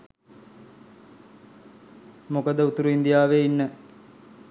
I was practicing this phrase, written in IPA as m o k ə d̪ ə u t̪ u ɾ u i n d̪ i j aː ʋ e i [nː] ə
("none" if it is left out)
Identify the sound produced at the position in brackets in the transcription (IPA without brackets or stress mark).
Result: nː